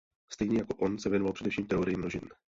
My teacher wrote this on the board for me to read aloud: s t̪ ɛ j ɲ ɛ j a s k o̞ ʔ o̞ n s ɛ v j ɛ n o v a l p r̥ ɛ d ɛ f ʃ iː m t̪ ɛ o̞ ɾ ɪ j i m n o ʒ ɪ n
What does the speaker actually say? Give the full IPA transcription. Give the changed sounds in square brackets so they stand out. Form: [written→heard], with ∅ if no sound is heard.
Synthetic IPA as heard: s t̪ ɛ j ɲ ɛ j a [s→∅] k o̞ ʔ o̞ n s ɛ v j ɛ n o v a l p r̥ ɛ d ɛ f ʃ iː m t̪ ɛ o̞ ɾ ɪ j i m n o ʒ ɪ n